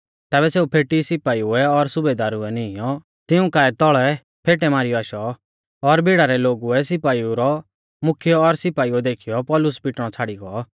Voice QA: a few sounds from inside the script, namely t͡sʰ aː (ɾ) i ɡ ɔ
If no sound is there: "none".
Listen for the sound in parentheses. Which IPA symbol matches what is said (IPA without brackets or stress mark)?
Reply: ɽ